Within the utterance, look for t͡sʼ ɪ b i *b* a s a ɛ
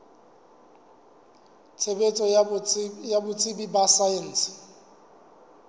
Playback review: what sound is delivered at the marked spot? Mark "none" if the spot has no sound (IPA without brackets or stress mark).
b